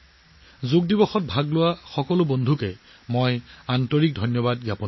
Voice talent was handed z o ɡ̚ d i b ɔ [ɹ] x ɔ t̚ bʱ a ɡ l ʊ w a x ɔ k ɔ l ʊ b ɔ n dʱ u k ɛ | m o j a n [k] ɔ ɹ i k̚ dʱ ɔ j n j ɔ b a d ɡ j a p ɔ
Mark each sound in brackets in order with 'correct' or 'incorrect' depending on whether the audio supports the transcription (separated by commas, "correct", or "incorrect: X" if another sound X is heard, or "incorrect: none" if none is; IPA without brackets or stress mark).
incorrect: none, incorrect: t